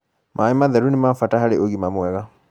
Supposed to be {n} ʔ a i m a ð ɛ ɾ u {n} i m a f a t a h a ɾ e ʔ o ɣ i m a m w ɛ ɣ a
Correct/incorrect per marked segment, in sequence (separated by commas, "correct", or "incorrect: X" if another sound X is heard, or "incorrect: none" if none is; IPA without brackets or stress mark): incorrect: m, correct